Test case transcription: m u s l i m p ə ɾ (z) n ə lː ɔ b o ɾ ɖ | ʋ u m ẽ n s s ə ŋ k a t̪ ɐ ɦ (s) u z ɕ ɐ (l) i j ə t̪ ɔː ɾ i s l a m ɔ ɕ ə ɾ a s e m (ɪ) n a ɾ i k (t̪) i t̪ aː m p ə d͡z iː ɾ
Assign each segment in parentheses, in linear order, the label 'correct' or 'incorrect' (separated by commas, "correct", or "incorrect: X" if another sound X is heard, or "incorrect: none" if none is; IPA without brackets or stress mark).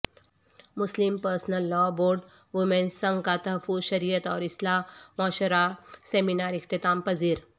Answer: incorrect: s, incorrect: f, incorrect: ɾ, incorrect: i, correct